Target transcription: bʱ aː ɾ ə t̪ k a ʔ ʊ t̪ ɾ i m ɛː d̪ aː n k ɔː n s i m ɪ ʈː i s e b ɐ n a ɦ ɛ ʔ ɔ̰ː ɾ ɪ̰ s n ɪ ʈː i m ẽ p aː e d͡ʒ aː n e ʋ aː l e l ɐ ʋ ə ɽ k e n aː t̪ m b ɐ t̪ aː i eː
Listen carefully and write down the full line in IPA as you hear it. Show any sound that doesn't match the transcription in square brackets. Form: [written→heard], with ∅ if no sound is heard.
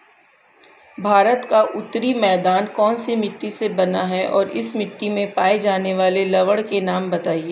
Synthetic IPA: bʱ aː ɾ ə t̪ k a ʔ ʊ t̪ ɾ i m ɛː d̪ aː n k ɔː n s i m ɪ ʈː i s e b ɐ n a ɦ ɛ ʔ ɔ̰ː ɾ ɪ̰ s [n→m] ɪ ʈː i m ẽ p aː e d͡ʒ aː n e ʋ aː l e l ɐ ʋ ə ɽ k e n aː [t̪→∅] m b ɐ t̪ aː i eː